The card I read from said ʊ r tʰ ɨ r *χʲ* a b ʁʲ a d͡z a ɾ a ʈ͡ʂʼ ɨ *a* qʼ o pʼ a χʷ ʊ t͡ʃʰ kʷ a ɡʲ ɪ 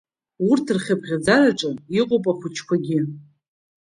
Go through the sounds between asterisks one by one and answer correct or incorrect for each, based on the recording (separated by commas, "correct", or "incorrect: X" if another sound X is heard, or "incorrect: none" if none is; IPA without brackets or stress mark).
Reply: correct, incorrect: i